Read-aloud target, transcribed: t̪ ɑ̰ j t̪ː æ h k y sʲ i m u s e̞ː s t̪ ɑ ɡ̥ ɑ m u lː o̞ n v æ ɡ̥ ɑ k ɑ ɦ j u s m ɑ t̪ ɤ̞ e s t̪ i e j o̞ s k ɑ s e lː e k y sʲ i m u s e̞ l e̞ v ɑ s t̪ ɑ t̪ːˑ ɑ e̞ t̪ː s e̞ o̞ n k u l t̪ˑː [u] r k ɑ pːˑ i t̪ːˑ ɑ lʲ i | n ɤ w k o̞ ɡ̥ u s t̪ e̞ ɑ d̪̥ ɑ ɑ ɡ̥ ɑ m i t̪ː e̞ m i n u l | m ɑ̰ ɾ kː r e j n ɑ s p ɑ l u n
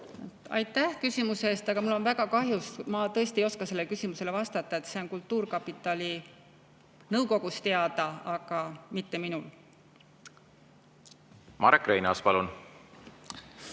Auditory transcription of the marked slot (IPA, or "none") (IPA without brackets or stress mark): uː